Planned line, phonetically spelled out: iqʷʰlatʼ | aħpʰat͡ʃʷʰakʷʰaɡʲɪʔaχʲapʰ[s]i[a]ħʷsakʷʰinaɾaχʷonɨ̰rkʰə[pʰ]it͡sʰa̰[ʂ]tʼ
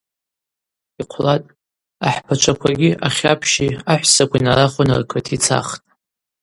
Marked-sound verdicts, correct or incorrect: incorrect: ʃ, correct, incorrect: tʰ, incorrect: χ

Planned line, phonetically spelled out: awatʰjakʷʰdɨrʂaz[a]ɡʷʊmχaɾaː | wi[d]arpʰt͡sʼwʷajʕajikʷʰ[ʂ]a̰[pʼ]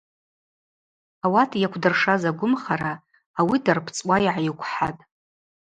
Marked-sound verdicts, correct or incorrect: correct, correct, incorrect: ħ, incorrect: tʼ

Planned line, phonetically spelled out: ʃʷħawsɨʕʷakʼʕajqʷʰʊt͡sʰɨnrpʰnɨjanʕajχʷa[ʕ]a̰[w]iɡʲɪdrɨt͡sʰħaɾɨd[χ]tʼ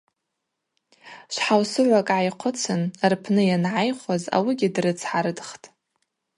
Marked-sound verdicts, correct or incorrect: incorrect: z, correct, correct

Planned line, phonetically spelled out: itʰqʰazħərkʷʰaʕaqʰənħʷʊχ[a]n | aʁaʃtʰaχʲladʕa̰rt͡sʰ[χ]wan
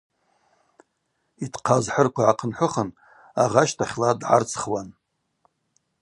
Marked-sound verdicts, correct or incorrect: incorrect: ə, correct

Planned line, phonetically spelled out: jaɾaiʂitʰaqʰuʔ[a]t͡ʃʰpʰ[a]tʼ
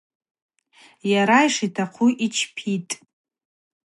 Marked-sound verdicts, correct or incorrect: incorrect: i, incorrect: i

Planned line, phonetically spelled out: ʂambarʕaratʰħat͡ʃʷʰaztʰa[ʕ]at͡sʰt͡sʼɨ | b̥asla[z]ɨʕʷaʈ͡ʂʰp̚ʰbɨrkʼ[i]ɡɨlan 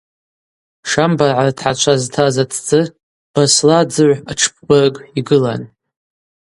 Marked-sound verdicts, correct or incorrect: incorrect: z, incorrect: d͡z, correct

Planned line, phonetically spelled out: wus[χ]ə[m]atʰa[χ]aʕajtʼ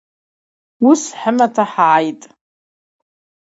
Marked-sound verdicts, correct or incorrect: incorrect: ħ, correct, incorrect: ħ

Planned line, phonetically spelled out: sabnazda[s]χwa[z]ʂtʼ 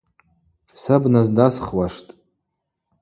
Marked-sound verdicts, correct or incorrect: correct, incorrect: none

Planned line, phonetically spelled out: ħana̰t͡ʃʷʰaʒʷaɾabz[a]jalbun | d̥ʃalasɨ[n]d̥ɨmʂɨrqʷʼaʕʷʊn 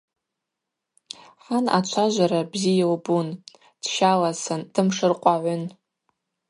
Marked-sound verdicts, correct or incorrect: incorrect: i, correct

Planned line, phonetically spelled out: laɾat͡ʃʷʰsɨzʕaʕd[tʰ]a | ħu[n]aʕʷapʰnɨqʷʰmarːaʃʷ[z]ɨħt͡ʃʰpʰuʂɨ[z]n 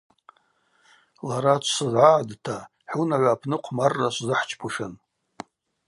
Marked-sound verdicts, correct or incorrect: correct, correct, correct, incorrect: none

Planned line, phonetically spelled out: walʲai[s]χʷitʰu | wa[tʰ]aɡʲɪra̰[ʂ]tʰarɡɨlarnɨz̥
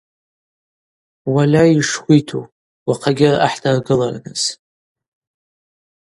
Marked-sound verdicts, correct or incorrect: incorrect: ʂ, incorrect: qʰ, incorrect: ħ

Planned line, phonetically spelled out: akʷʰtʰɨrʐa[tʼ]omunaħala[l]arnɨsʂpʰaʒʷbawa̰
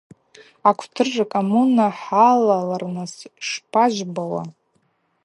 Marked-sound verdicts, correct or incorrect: incorrect: kʼ, correct

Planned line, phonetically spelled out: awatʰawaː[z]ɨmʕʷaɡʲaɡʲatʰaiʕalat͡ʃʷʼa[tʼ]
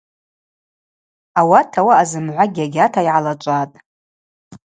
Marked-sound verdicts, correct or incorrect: correct, correct

